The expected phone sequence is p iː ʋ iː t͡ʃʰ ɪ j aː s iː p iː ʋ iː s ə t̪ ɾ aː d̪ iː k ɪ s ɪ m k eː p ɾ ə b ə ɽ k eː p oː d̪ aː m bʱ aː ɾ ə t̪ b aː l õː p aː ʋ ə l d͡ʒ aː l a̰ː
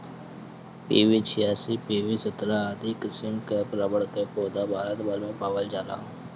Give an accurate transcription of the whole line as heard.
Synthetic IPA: p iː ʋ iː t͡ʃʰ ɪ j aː s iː p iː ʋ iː s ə t̪ ɾ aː d̪ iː k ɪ s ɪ m k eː p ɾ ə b ə ɽ k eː p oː d̪ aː bʱ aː ɾ ə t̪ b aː l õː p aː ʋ ə l d͡ʒ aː l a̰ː